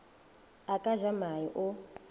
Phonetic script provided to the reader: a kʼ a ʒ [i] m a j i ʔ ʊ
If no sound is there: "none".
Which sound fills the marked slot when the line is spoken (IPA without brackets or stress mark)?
a